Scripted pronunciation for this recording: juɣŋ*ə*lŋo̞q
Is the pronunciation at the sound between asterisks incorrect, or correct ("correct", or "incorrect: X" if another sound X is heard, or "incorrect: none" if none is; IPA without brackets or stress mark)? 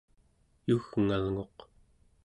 incorrect: a